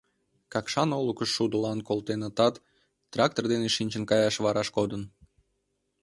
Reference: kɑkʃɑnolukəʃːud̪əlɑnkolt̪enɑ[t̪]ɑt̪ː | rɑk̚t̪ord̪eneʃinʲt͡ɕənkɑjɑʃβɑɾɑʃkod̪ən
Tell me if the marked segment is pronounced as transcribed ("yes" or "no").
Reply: yes